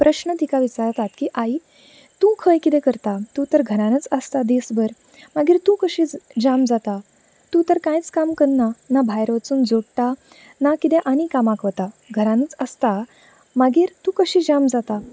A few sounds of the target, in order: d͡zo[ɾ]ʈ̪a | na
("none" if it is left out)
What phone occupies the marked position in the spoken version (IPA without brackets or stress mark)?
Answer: ɽ